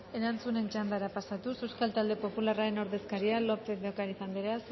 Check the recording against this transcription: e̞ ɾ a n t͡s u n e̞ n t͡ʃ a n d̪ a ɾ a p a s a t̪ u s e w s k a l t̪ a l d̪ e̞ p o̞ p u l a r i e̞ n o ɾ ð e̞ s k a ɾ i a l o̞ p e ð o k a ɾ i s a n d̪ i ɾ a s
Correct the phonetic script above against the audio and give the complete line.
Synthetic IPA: e̞ ɾ a n t͡s u n e̞ n t͡ʃ a n d̪ a ɾ a p a s a t̪ u s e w s k a l t̪ a l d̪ e̞ p o̞ p u l a r a e̞ n o ɾ ð e̞ s k a ɾ i a l o̞ p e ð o k a ɾ i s a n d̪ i ɾ a s